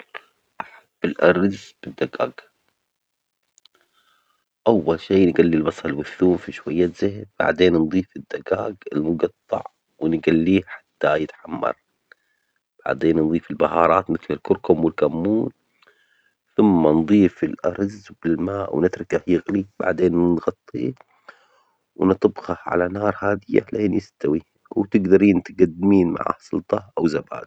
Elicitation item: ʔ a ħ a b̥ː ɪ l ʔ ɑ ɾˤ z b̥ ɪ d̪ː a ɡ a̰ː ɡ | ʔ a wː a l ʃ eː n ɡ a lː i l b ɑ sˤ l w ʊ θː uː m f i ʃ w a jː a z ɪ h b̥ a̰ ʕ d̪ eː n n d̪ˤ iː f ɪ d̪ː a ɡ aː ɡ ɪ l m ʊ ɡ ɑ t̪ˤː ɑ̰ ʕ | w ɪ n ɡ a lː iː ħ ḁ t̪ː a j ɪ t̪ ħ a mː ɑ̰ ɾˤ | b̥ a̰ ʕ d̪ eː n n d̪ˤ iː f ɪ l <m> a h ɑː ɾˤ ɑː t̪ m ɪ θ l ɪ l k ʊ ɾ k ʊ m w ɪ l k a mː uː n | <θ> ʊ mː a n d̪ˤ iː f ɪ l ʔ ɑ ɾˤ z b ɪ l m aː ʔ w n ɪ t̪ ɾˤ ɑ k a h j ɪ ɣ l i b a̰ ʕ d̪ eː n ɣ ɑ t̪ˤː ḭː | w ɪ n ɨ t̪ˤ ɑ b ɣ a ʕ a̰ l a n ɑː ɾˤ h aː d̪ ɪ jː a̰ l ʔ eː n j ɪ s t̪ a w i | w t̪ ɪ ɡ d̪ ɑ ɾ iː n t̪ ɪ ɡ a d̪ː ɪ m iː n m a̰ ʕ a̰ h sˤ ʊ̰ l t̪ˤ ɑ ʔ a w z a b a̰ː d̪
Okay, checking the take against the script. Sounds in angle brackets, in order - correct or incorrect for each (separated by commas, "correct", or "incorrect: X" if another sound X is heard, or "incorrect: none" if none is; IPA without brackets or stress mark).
incorrect: b, correct